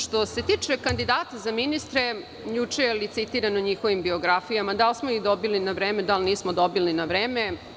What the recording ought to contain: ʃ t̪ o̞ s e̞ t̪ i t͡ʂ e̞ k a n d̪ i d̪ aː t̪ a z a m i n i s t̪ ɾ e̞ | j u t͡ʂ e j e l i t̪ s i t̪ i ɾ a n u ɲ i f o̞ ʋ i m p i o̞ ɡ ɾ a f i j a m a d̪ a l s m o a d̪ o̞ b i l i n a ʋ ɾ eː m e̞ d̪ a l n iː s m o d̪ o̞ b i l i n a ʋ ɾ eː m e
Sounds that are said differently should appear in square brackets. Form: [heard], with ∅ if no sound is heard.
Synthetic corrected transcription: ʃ t̪ o̞ s e̞ t̪ i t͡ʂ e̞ k a n d̪ i d̪ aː t̪ a z a m i n i s t̪ ɾ e̞ | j u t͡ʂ e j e l i t̪ s i t̪ i ɾ a n [o] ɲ i [x] o̞ ʋ i m [b] i o̞ ɡ ɾ a f i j a m a d̪ a l s m o [i] d̪ o̞ b i l i n a ʋ ɾ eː m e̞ d̪ a l n iː s m o d̪ o̞ b i l i n a ʋ ɾ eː m e